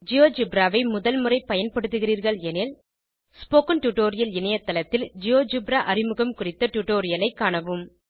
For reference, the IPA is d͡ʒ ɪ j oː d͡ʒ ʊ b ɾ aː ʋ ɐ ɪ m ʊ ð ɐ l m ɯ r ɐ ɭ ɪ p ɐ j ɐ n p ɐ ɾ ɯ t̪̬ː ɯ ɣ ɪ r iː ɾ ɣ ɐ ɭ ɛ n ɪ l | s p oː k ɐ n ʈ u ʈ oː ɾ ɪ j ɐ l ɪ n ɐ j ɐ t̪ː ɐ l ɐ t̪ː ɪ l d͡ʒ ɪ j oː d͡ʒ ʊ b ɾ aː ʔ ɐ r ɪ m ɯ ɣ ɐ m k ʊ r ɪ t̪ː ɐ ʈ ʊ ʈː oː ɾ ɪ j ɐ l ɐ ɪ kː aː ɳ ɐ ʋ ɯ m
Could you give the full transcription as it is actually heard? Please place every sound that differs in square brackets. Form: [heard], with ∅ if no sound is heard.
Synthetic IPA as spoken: d͡ʒ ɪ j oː d͡ʒ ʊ b ɾ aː ʋ ɐ ɪ m ʊ ð ɐ l m ɯ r ɐ [∅] ɪ p ɐ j ɐ n p ɐ [ɽ] ɯ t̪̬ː ɯ ɣ ɪ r iː ɾ ɣ ɐ ɭ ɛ n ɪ l | s p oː k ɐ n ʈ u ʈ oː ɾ ɪ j ɐ l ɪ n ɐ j ɐ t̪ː ɐ l ɐ t̪ː ɪ l d͡ʒ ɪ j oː d͡ʒ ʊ b ɾ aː ʔ ɐ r ɪ m ɯ ɣ ɐ m k ʊ r ɪ t̪ː ɐ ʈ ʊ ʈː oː ɾ ɪ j ɐ l ɐ ɪ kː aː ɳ ɐ ʋ ɯ m